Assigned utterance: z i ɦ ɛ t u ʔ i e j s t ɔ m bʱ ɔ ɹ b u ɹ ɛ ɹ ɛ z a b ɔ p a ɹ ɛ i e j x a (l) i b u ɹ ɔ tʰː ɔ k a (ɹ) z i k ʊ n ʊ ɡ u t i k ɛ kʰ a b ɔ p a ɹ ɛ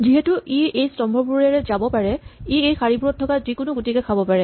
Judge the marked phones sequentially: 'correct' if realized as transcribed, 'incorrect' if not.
incorrect, incorrect

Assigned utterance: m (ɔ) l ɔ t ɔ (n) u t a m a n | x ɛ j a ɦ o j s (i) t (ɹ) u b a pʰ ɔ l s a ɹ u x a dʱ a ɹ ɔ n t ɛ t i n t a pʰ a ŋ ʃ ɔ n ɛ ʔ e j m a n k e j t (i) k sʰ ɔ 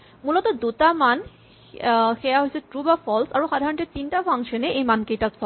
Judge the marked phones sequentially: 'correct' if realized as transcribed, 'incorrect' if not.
incorrect, incorrect, incorrect, correct, incorrect

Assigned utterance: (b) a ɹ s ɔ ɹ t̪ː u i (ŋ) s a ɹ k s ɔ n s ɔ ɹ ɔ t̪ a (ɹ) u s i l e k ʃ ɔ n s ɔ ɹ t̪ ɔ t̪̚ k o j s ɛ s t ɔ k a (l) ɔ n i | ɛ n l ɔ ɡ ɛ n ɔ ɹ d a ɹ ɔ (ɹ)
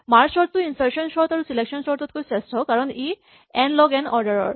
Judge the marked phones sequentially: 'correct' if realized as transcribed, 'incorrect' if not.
incorrect, incorrect, correct, incorrect, correct

